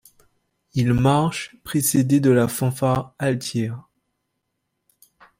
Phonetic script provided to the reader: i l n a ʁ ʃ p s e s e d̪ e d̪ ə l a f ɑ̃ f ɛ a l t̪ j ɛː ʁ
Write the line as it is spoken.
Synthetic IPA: i l m a ʁ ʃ p χ e s e d̪ e d̪ ə l a f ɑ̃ f a a l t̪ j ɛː ʁ